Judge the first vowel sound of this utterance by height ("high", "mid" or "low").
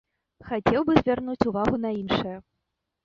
low